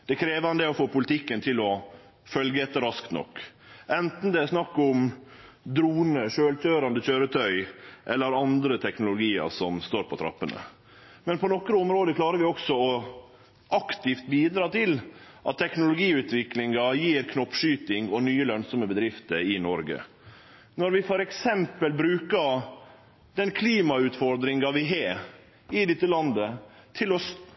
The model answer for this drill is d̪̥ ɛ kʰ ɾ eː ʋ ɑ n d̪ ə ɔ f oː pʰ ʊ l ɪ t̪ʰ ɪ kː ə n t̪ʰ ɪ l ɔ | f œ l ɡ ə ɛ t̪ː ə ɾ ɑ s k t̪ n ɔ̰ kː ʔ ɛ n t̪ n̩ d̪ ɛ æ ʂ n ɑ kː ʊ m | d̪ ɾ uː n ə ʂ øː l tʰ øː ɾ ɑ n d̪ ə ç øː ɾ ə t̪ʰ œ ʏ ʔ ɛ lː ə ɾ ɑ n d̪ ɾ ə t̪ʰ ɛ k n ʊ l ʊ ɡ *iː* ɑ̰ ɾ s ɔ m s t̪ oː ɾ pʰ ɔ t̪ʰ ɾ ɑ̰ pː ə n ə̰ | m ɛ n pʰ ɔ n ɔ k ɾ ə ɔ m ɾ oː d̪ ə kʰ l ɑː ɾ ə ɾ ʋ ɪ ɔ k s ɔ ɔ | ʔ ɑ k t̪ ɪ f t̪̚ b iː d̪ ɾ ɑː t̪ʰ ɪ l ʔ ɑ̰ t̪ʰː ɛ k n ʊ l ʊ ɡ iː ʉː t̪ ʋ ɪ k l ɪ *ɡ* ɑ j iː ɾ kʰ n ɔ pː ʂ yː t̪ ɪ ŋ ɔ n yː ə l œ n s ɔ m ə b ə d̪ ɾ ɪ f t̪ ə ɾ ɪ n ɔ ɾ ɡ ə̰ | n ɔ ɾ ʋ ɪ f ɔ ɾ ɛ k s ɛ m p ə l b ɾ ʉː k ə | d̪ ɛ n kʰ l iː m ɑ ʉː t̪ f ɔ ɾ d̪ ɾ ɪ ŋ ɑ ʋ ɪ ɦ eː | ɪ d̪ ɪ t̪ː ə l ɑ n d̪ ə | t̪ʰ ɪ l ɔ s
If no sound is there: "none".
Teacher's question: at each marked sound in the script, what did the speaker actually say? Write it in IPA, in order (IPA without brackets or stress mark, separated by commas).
iː, ŋ